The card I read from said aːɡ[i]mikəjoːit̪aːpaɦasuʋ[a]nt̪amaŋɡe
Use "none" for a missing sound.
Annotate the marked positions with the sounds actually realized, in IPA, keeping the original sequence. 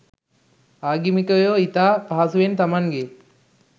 i, e

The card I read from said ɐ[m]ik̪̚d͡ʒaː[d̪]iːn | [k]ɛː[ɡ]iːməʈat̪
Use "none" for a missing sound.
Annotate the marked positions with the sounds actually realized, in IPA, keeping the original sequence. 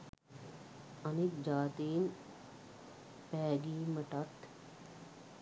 n, t̪, p, ɡ

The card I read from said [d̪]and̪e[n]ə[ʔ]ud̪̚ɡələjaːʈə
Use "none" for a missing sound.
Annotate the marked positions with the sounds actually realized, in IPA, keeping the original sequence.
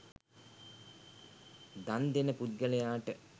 d̪, n, p

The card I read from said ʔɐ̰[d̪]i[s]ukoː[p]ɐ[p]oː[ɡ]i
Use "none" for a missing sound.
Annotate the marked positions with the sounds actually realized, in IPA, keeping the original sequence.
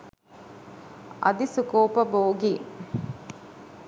d̪, s, p, b, ɡ

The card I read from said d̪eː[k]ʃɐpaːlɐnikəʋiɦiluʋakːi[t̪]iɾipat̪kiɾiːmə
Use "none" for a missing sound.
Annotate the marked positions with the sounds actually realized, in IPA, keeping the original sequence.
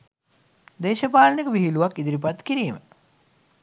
none, d̪

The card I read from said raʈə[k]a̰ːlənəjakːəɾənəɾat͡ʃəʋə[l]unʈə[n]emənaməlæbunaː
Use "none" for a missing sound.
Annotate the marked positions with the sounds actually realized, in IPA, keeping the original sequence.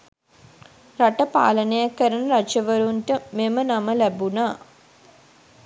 p, ɾ, m

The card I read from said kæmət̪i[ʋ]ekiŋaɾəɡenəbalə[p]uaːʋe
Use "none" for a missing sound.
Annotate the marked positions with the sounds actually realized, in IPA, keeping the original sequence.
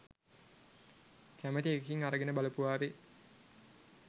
none, p

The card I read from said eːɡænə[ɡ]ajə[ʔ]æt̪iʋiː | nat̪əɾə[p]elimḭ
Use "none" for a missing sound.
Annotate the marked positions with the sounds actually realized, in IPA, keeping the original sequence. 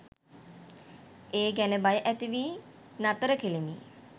b, ʔ, k

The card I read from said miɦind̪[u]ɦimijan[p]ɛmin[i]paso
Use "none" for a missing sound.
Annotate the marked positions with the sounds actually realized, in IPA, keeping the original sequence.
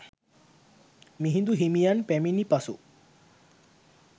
u, p, i

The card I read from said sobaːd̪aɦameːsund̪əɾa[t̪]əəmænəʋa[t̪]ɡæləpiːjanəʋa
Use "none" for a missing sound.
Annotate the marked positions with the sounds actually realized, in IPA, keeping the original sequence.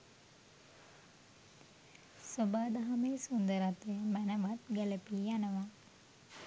t̪, t̪

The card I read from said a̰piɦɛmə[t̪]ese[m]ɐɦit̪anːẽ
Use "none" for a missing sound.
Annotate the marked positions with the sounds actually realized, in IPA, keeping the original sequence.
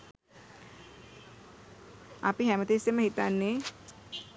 t̪, m

